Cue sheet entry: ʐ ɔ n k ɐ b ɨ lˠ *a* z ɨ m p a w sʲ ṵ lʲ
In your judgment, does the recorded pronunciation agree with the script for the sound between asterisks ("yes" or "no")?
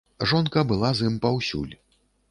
yes